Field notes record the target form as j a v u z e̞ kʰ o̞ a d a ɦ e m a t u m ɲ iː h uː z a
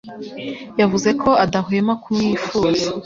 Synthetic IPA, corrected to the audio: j a v u z e̞ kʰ o̞ a d a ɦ e m a k u m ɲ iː f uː z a